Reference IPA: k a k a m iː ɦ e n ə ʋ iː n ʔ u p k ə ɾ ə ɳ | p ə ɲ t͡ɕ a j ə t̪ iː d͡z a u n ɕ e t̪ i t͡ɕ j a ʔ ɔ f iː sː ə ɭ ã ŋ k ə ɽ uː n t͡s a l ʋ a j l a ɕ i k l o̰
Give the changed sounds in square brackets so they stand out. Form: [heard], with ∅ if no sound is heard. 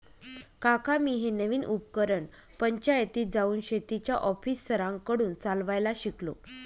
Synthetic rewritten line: k a k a m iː ɦ e n ə ʋ iː n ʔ u p k ə ɾ ə ɳ | p ə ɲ t͡ɕ a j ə t̪ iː d͡z a [uː] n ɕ e t̪ i t͡ɕ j a ʔ ɔ f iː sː ə [ɾ] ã ŋ k ə ɽ uː n t͡s a l ʋ a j l a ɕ i k l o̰